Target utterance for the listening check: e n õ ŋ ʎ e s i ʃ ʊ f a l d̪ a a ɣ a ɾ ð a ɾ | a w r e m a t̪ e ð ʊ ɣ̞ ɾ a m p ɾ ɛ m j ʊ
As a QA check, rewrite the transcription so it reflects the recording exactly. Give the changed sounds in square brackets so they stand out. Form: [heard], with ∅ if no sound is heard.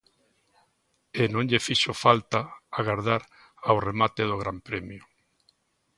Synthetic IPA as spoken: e n õ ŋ ʎ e [f] i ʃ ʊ f a l [t̪] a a ɣ a ɾ ð a ɾ | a w r e m a t̪ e ð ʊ ɣ̞ ɾ a m p ɾ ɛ m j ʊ